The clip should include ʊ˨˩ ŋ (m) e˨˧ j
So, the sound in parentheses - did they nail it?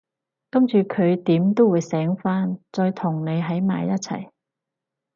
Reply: no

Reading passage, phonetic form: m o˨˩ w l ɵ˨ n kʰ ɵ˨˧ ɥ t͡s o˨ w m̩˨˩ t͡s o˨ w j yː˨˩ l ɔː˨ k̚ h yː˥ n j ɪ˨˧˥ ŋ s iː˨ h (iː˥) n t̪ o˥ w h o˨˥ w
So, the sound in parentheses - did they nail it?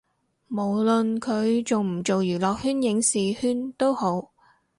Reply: no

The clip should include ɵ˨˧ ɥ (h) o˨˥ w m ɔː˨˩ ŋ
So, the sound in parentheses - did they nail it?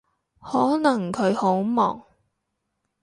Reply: yes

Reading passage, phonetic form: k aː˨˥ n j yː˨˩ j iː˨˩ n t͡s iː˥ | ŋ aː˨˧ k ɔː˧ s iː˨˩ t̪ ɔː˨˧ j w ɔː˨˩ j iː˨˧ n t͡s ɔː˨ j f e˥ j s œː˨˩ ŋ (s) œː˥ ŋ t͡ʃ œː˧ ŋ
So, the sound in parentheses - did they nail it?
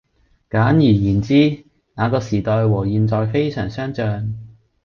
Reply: yes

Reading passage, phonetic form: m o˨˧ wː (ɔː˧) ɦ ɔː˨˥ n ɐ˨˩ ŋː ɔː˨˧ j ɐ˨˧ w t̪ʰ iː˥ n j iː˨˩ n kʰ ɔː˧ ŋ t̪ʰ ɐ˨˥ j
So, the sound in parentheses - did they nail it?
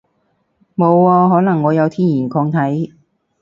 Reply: yes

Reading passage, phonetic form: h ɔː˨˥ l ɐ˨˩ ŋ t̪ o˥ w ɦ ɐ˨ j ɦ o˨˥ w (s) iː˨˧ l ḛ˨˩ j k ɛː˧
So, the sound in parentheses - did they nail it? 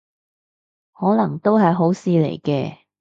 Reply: yes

